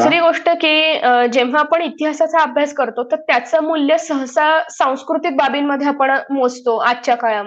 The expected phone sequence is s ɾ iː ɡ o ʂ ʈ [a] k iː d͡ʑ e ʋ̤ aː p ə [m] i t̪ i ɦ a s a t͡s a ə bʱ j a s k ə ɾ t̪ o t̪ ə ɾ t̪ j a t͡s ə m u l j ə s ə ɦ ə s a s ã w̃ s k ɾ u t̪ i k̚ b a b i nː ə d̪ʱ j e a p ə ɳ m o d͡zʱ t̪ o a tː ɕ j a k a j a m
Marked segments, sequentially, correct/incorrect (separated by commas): incorrect, incorrect